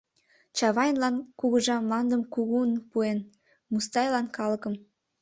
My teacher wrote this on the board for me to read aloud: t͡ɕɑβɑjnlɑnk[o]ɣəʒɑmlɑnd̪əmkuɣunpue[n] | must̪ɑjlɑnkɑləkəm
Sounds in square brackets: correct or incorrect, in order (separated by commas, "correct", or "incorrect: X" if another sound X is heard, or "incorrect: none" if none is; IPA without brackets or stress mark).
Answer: incorrect: u, correct